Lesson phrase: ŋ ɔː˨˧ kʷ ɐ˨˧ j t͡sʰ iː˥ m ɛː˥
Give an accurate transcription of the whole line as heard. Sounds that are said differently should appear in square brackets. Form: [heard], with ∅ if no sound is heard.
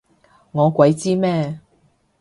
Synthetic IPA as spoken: ŋ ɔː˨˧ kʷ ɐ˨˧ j [t͡s] iː˥ m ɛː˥